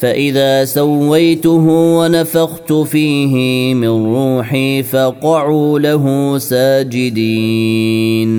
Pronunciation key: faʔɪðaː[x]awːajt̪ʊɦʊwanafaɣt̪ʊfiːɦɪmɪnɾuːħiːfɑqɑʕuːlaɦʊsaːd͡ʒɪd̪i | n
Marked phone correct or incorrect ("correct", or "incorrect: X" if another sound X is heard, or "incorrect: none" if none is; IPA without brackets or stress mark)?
incorrect: s